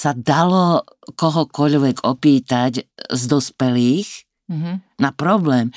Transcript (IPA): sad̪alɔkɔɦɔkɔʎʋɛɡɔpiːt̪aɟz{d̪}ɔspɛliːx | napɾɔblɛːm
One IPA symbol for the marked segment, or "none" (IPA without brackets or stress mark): d̪